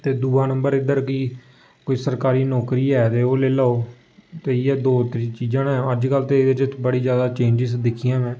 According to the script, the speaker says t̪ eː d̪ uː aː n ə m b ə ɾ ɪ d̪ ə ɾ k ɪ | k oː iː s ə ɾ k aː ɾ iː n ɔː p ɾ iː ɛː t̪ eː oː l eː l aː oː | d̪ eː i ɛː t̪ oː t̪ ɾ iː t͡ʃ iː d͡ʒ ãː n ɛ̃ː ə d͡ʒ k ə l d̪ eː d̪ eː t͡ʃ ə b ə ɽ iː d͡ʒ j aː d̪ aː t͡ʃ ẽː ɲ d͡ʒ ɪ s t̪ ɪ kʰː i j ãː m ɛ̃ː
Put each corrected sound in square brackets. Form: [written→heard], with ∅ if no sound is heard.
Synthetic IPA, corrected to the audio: t̪ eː d̪ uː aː n ə m b ə ɾ ɪ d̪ ə ɾ k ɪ | k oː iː s ə ɾ k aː ɾ iː n ɔː [p→k] ɾ iː ɛː t̪ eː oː l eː l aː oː | [d̪→t̪] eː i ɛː [t̪→d̪] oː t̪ ɾ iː t͡ʃ iː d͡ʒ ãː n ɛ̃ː ə d͡ʒ k ə l [d̪→t̪] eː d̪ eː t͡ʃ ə b ə ɽ iː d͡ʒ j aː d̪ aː t͡ʃ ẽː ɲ d͡ʒ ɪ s [t̪→d̪] ɪ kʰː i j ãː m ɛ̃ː